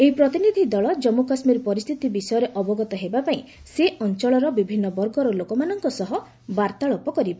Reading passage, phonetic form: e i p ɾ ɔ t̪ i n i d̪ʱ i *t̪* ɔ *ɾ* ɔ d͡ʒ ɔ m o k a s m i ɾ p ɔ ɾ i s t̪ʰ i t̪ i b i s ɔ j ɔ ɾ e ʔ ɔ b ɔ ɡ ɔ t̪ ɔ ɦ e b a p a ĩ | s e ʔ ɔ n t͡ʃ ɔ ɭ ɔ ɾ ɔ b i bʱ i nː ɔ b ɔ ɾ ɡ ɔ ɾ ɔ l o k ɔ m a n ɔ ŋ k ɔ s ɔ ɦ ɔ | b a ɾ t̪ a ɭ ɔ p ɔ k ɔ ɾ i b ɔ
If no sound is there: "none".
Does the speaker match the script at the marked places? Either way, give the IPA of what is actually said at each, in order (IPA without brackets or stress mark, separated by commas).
d̪, ɭ